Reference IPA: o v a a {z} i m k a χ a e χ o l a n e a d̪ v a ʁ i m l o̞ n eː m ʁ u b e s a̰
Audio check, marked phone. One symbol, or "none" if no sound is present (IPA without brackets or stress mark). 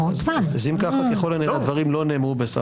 z